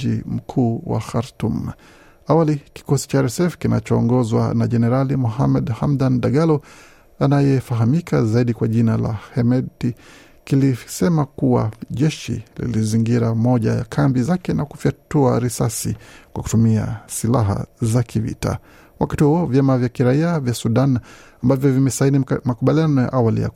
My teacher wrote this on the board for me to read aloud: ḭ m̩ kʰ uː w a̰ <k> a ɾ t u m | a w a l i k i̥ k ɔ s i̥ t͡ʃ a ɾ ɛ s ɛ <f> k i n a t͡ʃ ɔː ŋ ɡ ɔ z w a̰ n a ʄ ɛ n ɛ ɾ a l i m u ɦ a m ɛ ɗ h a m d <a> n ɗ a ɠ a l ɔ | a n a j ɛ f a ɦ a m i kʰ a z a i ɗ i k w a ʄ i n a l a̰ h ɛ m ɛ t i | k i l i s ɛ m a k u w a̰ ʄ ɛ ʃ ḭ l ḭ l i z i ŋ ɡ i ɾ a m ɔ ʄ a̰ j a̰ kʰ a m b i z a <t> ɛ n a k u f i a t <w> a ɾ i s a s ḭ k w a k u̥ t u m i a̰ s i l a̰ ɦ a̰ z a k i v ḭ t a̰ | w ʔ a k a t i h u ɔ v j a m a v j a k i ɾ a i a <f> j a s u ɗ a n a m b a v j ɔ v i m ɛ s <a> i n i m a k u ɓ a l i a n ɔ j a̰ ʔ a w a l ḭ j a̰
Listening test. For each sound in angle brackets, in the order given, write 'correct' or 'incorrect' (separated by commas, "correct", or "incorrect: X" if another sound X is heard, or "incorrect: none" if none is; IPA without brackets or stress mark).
incorrect: x, correct, correct, incorrect: k, incorrect: u, incorrect: v, correct